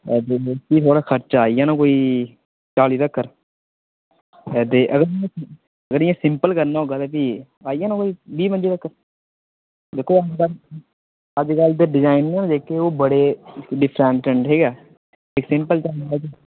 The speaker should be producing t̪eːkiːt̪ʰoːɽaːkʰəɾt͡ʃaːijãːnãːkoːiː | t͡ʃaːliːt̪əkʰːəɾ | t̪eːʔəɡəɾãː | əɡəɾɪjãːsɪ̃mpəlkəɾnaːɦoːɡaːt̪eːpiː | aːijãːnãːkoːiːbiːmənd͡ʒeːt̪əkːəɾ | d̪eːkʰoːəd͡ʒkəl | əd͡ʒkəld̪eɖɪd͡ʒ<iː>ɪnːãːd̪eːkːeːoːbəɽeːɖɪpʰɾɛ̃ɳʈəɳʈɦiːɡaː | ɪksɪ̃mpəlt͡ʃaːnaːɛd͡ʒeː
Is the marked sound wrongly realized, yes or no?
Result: yes